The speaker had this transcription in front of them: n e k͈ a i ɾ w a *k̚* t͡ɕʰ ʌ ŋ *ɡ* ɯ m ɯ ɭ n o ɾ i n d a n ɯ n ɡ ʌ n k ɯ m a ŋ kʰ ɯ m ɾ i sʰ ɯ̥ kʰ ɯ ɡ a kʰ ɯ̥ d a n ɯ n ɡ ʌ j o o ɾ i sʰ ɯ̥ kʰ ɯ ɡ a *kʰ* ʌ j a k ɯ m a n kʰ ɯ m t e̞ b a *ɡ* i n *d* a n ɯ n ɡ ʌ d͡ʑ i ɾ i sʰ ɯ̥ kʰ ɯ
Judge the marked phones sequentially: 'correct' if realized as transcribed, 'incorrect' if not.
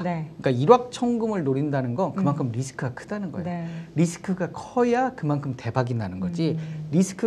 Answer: correct, correct, correct, correct, correct

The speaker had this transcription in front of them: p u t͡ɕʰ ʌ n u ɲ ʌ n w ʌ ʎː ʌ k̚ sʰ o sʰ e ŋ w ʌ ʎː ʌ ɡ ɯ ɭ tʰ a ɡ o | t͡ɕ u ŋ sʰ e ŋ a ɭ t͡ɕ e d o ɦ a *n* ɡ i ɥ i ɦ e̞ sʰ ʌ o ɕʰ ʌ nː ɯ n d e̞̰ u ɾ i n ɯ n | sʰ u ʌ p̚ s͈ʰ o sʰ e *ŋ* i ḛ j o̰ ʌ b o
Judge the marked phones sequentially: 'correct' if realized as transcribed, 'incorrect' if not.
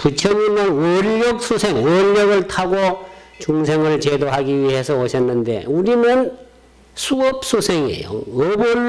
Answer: incorrect, correct

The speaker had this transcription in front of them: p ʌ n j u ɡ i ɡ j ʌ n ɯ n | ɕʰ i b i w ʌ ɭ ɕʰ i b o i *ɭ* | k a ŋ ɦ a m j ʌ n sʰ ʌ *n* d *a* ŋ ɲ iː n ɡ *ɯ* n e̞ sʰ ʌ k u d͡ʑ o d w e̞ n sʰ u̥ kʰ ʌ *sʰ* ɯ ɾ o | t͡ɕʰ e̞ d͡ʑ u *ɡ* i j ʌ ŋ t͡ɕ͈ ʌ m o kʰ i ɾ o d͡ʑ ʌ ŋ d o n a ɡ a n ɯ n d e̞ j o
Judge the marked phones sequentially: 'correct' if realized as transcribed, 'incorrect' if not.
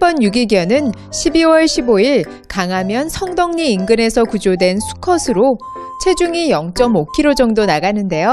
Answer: correct, incorrect, incorrect, correct, correct, incorrect

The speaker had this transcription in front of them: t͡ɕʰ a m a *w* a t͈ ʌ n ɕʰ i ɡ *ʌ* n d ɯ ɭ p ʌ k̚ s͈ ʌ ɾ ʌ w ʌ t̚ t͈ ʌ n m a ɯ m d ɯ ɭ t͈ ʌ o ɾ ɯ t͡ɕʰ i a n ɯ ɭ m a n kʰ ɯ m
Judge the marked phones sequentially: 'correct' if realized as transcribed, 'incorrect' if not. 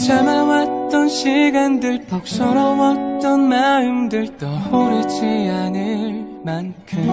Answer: correct, incorrect

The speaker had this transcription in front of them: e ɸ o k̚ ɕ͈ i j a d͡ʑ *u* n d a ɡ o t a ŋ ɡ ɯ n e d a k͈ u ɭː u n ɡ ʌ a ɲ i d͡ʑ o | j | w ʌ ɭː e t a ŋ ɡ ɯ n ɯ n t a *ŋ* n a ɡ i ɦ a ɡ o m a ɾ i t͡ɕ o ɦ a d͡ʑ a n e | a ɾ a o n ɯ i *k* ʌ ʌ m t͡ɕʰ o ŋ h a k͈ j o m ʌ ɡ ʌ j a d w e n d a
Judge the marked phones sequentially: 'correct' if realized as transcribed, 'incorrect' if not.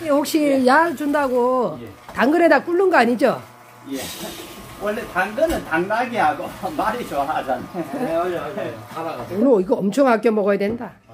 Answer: correct, correct, incorrect

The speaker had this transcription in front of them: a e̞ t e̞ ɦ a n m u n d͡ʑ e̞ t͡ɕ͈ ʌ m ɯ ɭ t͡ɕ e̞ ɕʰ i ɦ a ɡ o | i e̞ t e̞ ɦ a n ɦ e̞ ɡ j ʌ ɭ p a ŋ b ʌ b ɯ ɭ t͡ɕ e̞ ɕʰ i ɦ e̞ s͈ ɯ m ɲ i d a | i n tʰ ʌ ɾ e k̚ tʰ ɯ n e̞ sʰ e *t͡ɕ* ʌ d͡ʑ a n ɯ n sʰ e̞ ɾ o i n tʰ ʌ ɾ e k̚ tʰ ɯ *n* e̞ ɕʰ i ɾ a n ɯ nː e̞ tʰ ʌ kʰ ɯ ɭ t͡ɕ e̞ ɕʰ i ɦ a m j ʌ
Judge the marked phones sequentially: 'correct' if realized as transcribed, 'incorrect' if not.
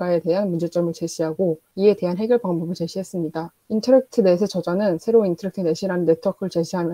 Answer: correct, correct

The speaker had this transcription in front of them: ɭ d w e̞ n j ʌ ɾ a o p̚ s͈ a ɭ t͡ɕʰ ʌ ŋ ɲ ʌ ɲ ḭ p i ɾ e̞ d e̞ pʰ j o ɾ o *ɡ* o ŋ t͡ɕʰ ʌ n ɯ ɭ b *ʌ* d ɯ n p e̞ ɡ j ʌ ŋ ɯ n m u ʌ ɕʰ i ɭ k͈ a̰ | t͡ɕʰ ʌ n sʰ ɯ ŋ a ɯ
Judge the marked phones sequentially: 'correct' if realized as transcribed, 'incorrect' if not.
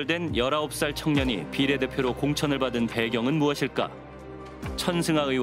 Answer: incorrect, incorrect

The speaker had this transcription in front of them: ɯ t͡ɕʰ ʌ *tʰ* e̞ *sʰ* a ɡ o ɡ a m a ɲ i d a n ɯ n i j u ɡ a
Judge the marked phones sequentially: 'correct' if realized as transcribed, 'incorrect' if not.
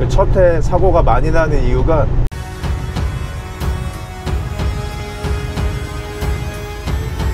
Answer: correct, correct

